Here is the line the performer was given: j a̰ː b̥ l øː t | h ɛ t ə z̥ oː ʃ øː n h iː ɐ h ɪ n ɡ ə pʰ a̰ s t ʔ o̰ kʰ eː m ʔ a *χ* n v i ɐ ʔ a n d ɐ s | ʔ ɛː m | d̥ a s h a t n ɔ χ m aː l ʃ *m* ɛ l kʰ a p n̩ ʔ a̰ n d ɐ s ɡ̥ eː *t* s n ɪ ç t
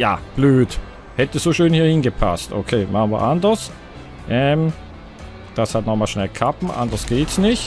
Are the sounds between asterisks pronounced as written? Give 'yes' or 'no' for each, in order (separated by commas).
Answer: yes, no, yes